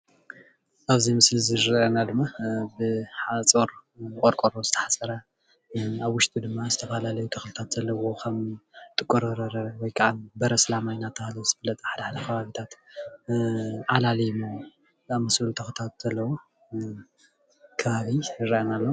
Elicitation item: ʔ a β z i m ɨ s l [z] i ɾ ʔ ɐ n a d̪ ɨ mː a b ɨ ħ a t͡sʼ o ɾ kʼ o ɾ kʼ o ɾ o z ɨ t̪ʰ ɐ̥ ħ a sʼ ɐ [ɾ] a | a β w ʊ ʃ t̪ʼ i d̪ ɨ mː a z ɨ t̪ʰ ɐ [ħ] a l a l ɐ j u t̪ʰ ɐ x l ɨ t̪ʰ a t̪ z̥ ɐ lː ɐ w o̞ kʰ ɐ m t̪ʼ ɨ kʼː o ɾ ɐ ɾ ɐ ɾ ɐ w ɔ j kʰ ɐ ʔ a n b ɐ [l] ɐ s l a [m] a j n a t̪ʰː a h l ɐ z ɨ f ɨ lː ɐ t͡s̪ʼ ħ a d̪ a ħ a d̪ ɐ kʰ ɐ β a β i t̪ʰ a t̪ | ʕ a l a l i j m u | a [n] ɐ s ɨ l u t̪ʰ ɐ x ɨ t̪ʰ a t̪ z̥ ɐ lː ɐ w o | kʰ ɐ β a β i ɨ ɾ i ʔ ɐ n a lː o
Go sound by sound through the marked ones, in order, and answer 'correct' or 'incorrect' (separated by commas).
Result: correct, correct, incorrect, incorrect, correct, incorrect